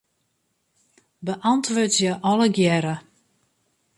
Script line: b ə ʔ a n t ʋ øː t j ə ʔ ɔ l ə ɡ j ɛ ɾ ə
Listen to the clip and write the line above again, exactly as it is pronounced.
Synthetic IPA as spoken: b ə ʔ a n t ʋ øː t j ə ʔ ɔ l ə ɡ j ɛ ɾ ə